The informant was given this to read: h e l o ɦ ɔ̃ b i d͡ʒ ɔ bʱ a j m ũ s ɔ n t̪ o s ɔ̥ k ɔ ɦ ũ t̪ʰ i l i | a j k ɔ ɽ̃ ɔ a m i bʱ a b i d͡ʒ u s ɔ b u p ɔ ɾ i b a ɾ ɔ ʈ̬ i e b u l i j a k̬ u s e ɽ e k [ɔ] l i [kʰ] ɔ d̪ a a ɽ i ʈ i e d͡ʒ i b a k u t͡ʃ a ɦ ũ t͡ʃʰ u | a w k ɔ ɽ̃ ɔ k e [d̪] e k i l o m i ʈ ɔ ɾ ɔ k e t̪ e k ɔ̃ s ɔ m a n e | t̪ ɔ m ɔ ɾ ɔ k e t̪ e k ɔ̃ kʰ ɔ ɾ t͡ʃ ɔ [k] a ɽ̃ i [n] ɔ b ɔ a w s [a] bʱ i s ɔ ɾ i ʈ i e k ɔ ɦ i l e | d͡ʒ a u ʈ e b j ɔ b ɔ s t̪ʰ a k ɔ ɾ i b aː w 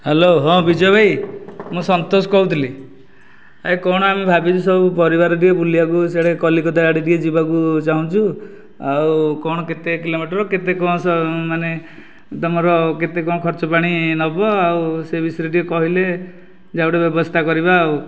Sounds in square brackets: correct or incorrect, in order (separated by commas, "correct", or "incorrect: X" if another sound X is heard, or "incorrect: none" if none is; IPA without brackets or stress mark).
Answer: correct, incorrect: k, incorrect: t̪, incorrect: p, correct, incorrect: e